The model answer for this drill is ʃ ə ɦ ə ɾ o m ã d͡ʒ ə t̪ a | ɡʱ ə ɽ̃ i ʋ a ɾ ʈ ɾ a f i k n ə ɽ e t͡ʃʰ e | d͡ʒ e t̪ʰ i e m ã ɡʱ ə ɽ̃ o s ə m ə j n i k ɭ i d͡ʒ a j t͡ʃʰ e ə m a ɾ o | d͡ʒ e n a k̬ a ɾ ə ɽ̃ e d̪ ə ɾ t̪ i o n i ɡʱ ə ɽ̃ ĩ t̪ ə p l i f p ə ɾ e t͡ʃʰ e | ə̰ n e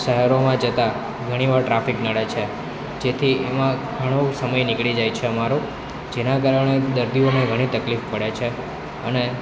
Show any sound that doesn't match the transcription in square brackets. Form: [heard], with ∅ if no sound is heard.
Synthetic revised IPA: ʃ ə ɦ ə ɾ o m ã d͡ʒ ə t̪ a | ɡʱ ə ɽ̃ i ʋ a ɾ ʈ ɾ a f i k n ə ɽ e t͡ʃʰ e | d͡ʒ e t̪ʰ i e m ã ɡʱ ə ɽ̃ o s ə m ə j n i k ɭ i d͡ʒ a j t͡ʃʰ e ə m a ɾ o | d͡ʒ e n a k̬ a ɾ ə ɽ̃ e d̪ ə ɾ [d̪] i o n [e] ɡʱ ə ɽ̃ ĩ t̪ ə [k] l i f p ə [ɽ] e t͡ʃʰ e | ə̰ n e